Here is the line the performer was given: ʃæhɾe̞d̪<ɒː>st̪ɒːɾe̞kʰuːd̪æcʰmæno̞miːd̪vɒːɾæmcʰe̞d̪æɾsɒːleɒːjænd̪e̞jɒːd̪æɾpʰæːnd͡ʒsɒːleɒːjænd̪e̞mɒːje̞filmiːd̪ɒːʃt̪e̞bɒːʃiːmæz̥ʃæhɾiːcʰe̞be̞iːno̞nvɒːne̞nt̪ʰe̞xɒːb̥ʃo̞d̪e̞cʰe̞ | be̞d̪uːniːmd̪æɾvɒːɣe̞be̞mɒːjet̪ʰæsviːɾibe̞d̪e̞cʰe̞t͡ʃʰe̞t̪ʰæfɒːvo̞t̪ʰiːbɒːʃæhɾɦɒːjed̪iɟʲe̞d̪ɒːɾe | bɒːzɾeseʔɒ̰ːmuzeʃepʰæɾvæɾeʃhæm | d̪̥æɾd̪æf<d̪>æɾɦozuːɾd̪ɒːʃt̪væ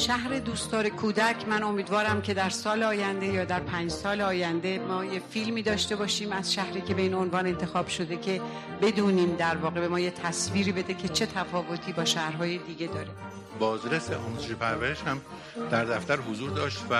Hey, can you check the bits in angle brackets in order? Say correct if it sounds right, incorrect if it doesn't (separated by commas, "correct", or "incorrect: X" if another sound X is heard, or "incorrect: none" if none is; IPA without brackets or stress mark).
incorrect: uː, incorrect: t̪